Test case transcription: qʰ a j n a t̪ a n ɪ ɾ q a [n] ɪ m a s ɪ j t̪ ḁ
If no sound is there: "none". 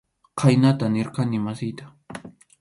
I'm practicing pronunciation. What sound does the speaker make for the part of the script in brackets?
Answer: n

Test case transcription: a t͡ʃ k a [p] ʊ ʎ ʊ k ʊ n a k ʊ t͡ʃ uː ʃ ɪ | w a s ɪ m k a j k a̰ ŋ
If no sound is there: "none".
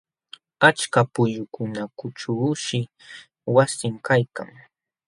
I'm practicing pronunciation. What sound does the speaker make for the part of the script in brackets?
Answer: p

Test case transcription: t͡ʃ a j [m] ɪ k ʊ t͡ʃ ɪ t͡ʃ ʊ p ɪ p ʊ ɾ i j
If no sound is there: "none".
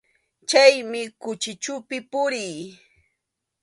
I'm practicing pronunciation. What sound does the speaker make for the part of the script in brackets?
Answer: m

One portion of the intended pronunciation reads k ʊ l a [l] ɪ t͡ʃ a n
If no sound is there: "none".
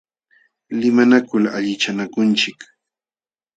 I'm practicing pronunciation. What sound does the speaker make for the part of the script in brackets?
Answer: ʎ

